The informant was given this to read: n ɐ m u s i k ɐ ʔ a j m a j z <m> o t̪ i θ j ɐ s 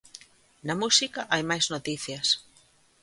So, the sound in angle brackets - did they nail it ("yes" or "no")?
no